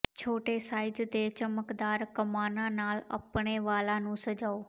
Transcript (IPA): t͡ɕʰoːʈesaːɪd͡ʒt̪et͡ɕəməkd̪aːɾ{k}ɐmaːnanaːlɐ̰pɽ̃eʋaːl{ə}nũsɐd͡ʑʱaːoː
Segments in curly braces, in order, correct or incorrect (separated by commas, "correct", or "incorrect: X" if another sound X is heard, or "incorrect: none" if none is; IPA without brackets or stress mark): correct, incorrect: a